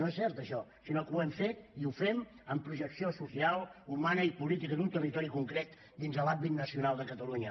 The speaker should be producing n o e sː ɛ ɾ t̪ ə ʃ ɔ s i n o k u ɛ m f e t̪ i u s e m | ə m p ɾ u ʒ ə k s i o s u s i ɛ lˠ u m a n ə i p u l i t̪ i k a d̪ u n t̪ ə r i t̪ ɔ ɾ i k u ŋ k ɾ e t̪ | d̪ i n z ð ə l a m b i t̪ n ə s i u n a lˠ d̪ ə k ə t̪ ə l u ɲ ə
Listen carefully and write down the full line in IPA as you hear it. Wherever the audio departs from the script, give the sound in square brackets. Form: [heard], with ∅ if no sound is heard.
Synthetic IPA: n o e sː ɛ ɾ t̪ ə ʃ ɔ s i n o k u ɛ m f e t̪ i u [f] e m | ə m p ɾ u ʒ ə k s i o s u s i [a] lˠ u m a n ə i p u l i t̪ i k [ə] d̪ u n t̪ ə r i t̪ ɔ ɾ i k u ŋ k ɾ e t̪ | d̪ i n z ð ə l a m b i t̪ n ə s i u n a lˠ d̪ ə k ə t̪ ə l u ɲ ə